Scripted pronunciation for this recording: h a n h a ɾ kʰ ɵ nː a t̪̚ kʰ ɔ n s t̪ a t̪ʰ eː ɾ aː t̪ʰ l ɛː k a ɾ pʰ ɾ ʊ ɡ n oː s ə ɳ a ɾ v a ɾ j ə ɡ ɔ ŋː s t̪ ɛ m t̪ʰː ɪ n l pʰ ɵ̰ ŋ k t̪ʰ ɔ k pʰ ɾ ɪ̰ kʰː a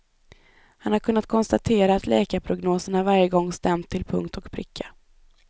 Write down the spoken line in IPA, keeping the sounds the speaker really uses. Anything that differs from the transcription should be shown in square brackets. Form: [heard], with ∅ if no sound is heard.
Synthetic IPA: h a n h a ɾ kʰ ɵ nː a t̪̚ kʰ ɔ n s t̪ a t̪ʰ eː ɾ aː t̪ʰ l ɛː k a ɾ pʰ ɾ ʊ ɡ n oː s ə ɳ a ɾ v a ɾ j ə ɡ ɔ ŋː s t̪ ɛ m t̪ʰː ɪ [∅] l pʰ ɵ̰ ŋ k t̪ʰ ɔ k pʰ ɾ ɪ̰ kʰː a